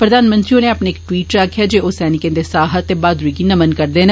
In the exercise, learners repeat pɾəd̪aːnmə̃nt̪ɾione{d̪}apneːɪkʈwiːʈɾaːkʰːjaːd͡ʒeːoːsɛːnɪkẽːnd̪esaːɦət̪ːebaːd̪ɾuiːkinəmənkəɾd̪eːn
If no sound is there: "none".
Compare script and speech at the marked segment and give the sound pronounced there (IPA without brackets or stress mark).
none